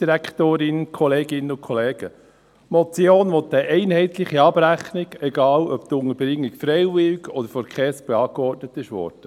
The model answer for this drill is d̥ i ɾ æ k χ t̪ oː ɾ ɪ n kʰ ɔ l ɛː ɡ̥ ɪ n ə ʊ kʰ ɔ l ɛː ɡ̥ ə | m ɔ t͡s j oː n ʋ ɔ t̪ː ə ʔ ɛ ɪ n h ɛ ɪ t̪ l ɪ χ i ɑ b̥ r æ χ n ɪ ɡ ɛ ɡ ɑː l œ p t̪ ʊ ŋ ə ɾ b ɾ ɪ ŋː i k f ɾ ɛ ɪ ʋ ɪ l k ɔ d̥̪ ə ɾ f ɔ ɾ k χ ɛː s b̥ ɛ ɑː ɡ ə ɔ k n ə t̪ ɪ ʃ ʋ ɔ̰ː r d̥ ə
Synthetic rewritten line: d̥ i ɾ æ k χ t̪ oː ɾ ɪ n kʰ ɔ l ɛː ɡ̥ ɪ n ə ʊ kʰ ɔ l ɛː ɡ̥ ə | m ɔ t͡s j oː n ʋ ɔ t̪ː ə ʔ ɛ ɪ n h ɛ ɪ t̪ l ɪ χ i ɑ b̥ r æ χ n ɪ ɡ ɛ ɡ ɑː l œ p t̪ ʊ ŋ ə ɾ b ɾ ɪ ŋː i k f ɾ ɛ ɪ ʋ ɪ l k ɔ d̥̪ ə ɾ f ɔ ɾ k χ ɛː s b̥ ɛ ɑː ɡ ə ɔ t n ə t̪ ɪ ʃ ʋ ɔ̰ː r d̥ ə